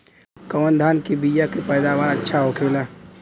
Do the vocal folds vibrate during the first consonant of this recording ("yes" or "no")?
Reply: no